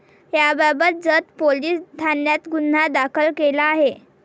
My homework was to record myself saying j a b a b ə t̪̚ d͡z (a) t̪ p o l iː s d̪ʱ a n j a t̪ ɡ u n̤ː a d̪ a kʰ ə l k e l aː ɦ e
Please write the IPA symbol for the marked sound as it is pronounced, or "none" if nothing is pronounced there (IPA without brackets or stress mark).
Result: ə